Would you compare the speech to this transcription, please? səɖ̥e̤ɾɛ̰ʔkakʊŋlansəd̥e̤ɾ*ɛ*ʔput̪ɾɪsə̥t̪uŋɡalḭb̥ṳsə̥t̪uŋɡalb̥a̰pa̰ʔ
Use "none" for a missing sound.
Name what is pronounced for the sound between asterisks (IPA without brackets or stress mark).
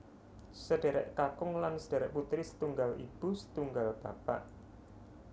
ɛ